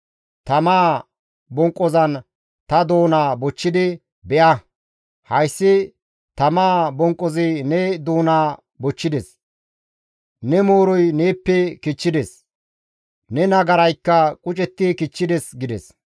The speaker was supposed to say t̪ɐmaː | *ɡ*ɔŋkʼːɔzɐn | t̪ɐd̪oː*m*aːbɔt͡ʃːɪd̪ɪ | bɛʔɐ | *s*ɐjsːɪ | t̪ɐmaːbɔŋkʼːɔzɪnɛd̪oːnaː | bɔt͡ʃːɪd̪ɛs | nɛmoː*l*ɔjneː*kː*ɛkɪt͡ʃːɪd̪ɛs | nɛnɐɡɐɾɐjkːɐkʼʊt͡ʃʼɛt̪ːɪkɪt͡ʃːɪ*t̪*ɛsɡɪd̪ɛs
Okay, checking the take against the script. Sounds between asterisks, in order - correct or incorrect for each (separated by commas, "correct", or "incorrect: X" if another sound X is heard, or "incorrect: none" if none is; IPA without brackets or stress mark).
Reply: incorrect: b, incorrect: n, incorrect: h, incorrect: ɾ, incorrect: pː, incorrect: d̪